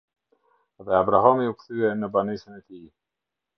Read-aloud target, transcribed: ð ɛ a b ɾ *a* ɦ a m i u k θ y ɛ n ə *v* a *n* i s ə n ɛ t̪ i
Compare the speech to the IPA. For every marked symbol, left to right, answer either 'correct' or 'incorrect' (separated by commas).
correct, incorrect, correct